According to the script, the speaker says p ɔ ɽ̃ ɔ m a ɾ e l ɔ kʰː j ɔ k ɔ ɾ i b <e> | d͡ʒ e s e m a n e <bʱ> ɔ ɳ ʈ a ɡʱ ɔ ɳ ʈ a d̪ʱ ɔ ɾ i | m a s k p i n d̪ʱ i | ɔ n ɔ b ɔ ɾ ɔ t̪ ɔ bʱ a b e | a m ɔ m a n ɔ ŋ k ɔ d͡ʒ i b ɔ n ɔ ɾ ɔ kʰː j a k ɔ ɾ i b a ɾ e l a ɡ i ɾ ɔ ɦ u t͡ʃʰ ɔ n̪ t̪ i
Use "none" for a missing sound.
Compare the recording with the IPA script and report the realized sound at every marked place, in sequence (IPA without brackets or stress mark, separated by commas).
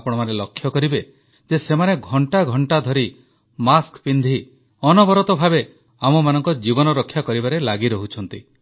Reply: e, ɡʱ